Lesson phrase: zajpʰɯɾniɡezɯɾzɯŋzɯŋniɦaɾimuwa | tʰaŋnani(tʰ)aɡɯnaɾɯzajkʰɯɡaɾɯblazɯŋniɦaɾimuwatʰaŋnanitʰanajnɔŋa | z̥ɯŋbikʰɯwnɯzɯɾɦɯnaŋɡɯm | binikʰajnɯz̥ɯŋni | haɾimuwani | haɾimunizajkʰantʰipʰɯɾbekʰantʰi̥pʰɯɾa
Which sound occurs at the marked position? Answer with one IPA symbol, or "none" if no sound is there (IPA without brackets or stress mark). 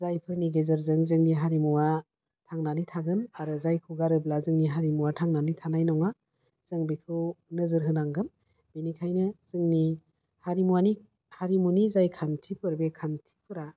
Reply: tʰ